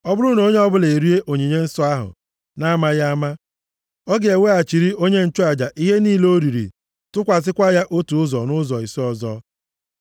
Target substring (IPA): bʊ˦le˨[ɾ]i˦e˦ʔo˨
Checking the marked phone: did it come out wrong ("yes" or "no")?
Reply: no